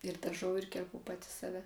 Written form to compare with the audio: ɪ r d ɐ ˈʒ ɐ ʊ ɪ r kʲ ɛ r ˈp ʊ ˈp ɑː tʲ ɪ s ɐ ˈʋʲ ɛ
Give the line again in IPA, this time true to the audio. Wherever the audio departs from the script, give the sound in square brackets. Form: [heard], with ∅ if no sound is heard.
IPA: ɪ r d ɐ ˈʒ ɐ ʊ ɪ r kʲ ɛ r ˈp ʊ ˈp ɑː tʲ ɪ s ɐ ˈʋʲ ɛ